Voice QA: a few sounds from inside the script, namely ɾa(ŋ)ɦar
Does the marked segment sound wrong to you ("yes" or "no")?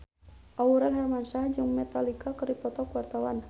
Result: yes